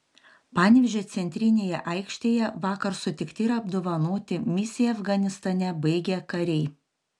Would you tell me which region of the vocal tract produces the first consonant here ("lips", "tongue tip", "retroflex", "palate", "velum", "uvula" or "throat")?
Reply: lips